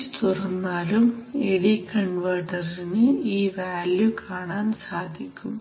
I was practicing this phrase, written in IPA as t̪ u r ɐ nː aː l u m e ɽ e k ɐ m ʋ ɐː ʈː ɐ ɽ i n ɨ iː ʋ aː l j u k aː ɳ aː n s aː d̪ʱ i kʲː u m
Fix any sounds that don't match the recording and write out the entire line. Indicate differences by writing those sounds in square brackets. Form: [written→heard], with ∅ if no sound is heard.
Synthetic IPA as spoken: t̪ u r ɐ nː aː l u m e ɽ [e→i] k ɐ [m→ɳ] ʋ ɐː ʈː ɐ [ɽ→r] i n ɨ iː ʋ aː l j u k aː ɳ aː n s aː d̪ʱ i kʲː u m